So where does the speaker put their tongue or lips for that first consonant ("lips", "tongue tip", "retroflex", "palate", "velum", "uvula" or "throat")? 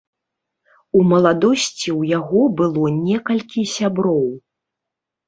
lips